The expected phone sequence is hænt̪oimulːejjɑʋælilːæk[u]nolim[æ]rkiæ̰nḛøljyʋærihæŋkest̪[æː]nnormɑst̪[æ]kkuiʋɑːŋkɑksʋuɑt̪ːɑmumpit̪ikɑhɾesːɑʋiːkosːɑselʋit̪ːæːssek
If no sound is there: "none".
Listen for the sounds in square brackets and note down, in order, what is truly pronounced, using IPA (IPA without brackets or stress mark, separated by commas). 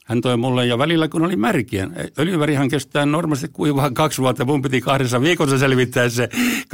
u, æ, æː, i